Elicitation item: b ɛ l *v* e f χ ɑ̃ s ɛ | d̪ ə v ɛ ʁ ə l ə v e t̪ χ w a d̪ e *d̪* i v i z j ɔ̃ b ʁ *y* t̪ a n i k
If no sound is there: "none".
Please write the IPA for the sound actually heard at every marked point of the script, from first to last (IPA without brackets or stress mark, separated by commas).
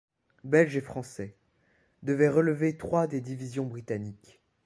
ʒ, d̪, i